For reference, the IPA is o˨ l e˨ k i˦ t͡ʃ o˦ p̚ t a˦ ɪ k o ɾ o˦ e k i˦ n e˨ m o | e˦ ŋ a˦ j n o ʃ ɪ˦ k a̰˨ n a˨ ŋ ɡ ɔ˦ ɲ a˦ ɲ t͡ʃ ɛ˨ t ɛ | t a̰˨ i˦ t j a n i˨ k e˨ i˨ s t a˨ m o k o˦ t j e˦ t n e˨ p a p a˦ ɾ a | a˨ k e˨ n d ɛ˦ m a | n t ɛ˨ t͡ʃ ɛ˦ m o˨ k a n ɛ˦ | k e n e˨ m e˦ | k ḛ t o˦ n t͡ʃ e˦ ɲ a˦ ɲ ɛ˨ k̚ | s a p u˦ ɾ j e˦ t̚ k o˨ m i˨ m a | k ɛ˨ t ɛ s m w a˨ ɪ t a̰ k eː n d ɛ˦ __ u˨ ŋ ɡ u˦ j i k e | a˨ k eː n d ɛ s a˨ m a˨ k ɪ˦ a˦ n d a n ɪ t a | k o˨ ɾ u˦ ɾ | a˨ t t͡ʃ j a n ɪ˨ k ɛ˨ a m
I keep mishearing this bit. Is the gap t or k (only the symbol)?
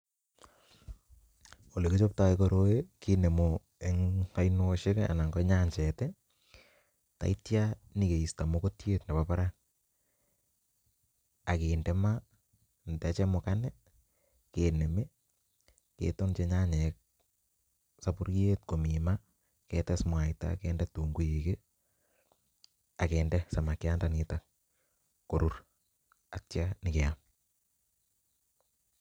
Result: t